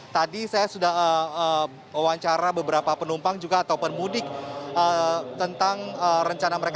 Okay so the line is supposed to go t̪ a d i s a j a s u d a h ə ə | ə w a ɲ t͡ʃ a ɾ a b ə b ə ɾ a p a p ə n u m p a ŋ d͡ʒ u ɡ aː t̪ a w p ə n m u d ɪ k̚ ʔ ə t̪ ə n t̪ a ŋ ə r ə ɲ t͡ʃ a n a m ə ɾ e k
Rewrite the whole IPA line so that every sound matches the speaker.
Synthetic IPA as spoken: t̪ a d i s a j a s u d a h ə ə | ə w a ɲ t͡ʃ a ɾ a b ə b ə ɾ a p a p ə n u m p a ŋ d͡ʒ u ɡ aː t̪ a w p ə n m u d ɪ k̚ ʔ ə t̪ ə n t̪ a ŋ ə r ə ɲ t͡ʃ a n a m ə ɾ e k